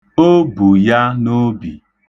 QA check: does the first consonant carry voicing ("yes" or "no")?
yes